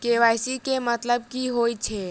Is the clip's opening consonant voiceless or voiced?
voiceless